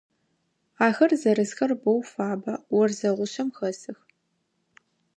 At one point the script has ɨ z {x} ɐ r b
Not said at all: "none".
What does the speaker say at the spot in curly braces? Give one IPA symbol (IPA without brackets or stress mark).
x